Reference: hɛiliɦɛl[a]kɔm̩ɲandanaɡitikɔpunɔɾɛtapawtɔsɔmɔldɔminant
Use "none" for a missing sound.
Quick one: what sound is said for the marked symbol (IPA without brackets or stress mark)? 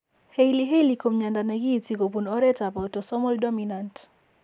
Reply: i